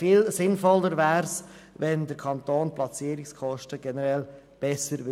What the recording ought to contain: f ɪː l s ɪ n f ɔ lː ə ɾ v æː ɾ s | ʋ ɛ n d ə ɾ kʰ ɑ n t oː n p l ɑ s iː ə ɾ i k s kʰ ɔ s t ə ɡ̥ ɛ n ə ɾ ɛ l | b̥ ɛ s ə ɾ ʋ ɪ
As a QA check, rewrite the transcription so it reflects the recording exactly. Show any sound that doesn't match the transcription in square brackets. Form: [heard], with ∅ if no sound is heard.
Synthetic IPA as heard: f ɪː l s ɪ n f ɔ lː ə ɾ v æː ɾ s | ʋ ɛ n d ə ɾ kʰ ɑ n t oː n p l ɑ [t͡s] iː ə ɾ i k s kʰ ɔ [ʃ] t ə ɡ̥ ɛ n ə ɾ ɛ l | b̥ ɛ s ə ɾ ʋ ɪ